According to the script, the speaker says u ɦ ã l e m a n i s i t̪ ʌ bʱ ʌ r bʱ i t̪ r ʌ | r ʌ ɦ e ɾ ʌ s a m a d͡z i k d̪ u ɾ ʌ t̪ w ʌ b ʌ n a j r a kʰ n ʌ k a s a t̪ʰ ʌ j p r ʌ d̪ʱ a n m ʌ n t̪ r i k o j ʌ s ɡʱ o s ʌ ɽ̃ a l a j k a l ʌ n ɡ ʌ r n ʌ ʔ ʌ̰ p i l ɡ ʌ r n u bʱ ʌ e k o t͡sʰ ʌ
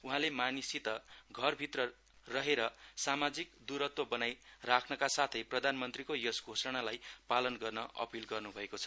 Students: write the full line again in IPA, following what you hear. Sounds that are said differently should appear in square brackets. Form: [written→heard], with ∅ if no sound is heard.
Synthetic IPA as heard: u ɦ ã l e m a n i s i t̪ ʌ [bʱ→ɡʱ] ʌ r bʱ i t̪ r ʌ | r ʌ ɦ e ɾ ʌ s a m a d͡z i k d̪ u ɾ ʌ t̪ w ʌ b ʌ n a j r a kʰ n ʌ k a s a t̪ʰ ʌ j p r ʌ d̪ʱ a n m ʌ n t̪ r i k o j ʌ s ɡʱ o s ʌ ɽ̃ a l a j [k→p] a l ʌ n ɡ ʌ r n ʌ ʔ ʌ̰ p i l ɡ ʌ r n u bʱ ʌ e k o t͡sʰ ʌ

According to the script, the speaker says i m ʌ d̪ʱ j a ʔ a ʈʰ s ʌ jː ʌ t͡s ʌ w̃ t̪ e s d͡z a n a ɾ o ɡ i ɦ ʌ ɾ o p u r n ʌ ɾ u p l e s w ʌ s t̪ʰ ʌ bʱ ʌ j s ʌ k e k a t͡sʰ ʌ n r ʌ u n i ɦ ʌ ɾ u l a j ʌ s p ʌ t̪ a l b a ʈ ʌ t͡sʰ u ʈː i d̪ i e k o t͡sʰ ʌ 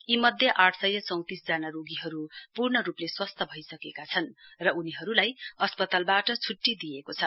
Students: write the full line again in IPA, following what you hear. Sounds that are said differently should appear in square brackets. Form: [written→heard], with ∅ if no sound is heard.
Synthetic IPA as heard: i m ʌ d̪ʱ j [a→ʌ] ʔ a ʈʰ s ʌ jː ʌ t͡s ʌ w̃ t̪ [e→i] s d͡z a n a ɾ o ɡ i ɦ ʌ ɾ [o→u] p u r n ʌ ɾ u p l e s w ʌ s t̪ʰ ʌ bʱ ʌ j s ʌ k e k a t͡sʰ ʌ n r ʌ u n i ɦ ʌ ɾ u l a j ʌ s p ʌ t̪ a l b a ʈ ʌ t͡sʰ u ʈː i d̪ i e k o t͡sʰ ʌ

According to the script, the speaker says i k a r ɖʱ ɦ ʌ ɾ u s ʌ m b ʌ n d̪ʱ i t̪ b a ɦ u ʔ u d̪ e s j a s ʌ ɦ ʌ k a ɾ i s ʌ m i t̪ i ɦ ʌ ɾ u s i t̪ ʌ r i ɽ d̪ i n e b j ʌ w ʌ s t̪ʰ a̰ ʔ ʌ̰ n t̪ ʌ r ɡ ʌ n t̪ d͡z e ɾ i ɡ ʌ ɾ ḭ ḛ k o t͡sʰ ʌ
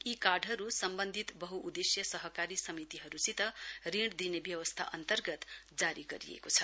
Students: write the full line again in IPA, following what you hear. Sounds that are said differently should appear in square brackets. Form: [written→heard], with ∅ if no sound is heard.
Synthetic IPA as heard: i k a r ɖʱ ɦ ʌ ɾ u s ʌ m b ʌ n d̪ʱ i t̪ b [a→ʌ] ɦ u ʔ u d̪ e s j [a→ʌ] s ʌ ɦ ʌ k a ɾ i s ʌ m i t̪ i ɦ ʌ ɾ u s i t̪ ʌ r i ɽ d̪ i n e b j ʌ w ʌ s t̪ʰ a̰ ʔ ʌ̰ n t̪ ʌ r ɡ ʌ [n→∅] t̪ d͡z [e→a] ɾ i ɡ ʌ ɾ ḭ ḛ k o t͡sʰ ʌ

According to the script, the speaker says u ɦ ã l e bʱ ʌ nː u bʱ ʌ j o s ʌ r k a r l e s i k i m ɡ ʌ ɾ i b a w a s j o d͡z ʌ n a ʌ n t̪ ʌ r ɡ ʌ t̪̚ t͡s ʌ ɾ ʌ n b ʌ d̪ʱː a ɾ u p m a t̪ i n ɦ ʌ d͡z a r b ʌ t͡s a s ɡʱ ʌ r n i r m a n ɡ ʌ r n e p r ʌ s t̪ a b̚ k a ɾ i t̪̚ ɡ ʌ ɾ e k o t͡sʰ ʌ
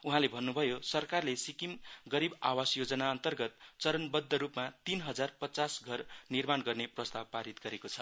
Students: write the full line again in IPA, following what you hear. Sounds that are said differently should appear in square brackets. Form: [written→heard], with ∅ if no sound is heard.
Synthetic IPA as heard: u ɦ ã l e bʱ ʌ nː u bʱ ʌ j o s ʌ r k a r l e s i k i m ɡ ʌ ɾ i b a w a s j o d͡z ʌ n a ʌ n t̪ ʌ r ɡ ʌ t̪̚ t͡s ʌ ɾ ʌ n b ʌ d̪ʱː [a→ʌ] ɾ u p m a t̪ i n ɦ ʌ d͡z a r [b→p] ʌ t͡s a s ɡʱ ʌ r n i r m a n ɡ ʌ r n e p r ʌ s t̪ a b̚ [k→p] a ɾ i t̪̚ ɡ ʌ ɾ e k o t͡sʰ ʌ

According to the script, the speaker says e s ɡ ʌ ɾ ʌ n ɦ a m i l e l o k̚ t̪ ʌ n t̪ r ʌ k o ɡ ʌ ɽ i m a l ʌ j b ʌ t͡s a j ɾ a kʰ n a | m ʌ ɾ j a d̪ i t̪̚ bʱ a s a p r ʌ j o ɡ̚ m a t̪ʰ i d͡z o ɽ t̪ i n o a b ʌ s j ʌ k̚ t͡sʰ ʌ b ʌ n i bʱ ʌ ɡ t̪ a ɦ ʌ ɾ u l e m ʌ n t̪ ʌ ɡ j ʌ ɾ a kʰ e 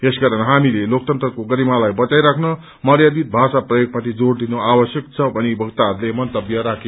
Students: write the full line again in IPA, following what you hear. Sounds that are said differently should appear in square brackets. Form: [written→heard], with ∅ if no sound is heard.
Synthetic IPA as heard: e s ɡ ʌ ɾ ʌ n ɦ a m i l e l o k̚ t̪ ʌ n t̪ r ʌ k o ɡ ʌ [ɽ→ɾ] i m a l [ʌ→a] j b ʌ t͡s a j ɾ a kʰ n [a→ʌ] | m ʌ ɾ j a d̪ i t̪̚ bʱ a s a p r ʌ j o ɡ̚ m a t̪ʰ i d͡z o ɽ [t̪→d̪] i n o a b ʌ s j ʌ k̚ t͡sʰ ʌ b ʌ n i bʱ ʌ ɡ t̪ a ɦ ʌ ɾ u l e m ʌ n t̪ ʌ [ɡ→b] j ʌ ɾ a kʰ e

